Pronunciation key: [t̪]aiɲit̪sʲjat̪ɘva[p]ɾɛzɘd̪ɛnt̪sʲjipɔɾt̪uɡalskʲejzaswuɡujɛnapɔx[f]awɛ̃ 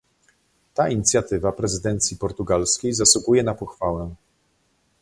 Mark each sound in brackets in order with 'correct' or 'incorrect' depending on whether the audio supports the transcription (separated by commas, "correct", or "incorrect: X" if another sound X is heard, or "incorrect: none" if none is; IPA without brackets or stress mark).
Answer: correct, correct, correct